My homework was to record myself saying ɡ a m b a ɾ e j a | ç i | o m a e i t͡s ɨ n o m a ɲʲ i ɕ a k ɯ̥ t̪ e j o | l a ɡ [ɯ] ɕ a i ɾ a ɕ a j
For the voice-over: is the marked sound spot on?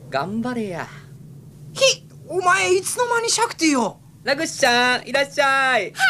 yes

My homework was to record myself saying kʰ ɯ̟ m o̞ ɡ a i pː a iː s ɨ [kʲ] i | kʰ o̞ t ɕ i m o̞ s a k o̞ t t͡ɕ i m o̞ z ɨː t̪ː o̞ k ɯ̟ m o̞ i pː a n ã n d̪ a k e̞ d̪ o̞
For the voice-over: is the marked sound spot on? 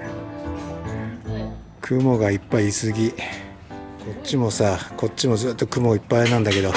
no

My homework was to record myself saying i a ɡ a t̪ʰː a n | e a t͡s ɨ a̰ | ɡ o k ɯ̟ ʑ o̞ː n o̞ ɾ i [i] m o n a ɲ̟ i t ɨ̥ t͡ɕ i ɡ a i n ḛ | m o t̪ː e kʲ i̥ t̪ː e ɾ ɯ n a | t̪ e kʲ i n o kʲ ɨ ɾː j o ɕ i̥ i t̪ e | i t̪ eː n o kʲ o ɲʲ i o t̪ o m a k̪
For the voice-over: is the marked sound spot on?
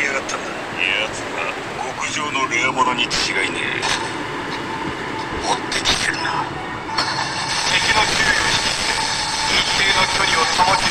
no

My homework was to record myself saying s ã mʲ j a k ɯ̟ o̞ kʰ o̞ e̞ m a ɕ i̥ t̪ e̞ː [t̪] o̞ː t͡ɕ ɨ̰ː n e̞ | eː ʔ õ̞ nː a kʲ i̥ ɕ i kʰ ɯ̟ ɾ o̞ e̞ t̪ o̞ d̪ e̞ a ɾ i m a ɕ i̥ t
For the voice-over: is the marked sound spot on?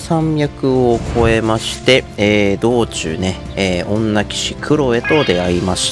no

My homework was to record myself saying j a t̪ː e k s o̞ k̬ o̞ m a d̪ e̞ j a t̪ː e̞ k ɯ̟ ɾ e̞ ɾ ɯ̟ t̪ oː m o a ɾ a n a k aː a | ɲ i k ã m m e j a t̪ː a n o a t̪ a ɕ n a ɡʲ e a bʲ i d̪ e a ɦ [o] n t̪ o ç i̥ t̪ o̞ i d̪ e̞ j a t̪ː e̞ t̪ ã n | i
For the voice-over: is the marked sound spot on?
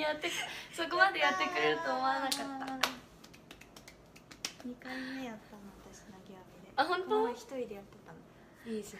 no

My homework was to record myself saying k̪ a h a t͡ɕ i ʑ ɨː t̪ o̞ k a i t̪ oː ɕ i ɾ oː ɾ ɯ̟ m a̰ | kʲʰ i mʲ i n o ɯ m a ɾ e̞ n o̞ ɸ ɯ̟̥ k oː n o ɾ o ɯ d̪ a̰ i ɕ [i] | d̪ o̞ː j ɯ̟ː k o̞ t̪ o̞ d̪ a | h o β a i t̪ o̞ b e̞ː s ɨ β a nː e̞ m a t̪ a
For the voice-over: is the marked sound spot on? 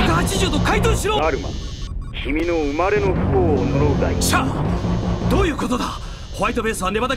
no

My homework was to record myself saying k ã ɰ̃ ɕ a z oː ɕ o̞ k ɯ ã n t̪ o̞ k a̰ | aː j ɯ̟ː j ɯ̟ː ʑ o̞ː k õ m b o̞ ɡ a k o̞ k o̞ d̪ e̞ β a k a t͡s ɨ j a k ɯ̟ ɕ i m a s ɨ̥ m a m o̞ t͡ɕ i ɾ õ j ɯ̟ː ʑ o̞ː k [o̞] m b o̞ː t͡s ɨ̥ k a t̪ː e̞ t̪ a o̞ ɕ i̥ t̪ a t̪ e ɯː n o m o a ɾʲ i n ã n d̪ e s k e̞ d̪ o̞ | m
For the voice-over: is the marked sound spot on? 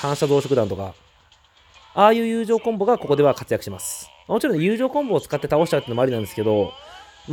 no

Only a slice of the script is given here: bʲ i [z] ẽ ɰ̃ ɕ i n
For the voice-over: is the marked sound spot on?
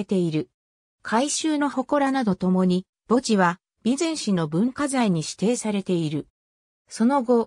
yes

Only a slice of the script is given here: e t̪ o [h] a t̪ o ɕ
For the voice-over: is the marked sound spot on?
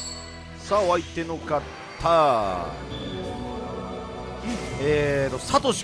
no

